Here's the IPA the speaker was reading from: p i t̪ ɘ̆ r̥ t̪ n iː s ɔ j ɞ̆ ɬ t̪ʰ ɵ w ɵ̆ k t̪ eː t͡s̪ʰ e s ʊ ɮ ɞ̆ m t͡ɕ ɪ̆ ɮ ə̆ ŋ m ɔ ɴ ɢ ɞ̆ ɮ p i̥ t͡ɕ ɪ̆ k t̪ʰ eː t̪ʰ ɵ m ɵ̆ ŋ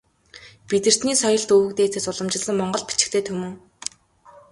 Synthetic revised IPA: p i t̪ ɘ̆ r̥ t̪ n iː s ɔ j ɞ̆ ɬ t̪ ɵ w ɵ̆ k t̪ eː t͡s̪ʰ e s ʊ ɮ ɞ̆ m t͡ɕ ɪ̆ ɮ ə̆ ŋ m ɔ ɴ ɢ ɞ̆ ɮ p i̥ t͡ɕ ɪ̆ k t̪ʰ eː t̪ʰ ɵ m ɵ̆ ŋ